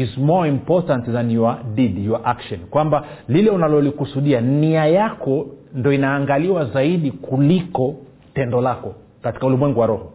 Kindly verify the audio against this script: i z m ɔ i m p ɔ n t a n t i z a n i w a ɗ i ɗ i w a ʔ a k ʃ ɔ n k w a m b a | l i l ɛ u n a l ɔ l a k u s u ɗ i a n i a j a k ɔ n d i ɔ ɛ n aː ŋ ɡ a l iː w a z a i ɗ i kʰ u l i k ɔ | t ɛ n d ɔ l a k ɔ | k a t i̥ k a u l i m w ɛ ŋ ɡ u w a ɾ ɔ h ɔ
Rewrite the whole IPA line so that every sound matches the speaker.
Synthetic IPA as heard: i z m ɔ i m p ɔ t a n t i z a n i w a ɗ i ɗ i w a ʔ a k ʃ ɔ n k w a m b a | l i l ɛ u n a l ɔ l i k u s u ɗ i a n i a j a k ɔ n d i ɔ i n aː ŋ ɡ a l i w a z a i ɗ i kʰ u l i k ɔ | t ɛ n d ɔ l a k ɔ | k a t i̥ k a u l i m w ɛ ŋ ɡ u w a ɾ ɔ h ɔ